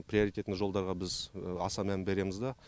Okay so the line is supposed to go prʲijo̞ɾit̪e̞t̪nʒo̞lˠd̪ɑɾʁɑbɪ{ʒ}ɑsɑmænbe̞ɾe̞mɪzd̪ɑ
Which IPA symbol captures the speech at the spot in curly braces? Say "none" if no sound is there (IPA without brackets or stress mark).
z